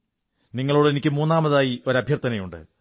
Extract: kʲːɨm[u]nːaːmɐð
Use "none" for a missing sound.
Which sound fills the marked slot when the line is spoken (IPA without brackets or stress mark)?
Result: uː